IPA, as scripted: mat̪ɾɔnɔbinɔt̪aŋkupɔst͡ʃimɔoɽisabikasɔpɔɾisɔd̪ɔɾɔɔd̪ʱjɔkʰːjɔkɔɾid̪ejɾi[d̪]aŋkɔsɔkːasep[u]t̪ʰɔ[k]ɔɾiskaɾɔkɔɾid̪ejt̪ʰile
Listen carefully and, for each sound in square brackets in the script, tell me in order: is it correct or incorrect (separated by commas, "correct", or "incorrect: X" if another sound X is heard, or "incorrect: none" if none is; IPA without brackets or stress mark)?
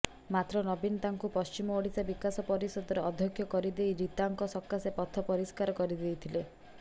incorrect: t̪, incorrect: ɔ, incorrect: p